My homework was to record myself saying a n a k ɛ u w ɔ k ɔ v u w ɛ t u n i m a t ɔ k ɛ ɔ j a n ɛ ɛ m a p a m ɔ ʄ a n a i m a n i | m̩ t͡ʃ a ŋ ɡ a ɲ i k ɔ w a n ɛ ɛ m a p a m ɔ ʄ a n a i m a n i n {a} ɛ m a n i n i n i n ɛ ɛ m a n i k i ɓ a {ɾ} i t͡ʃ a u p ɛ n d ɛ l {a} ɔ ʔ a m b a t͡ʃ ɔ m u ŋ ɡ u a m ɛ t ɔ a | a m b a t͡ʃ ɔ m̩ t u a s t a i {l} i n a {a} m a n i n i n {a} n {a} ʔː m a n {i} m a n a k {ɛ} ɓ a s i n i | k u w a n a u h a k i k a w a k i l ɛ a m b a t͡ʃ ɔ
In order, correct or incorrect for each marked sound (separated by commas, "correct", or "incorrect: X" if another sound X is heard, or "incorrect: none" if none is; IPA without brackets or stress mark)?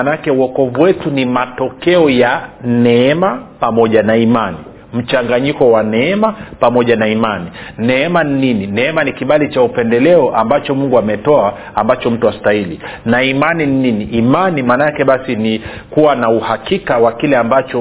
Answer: incorrect: ɛ, incorrect: l, incorrect: ɛ, correct, incorrect: i, incorrect: i, incorrect: i, correct, correct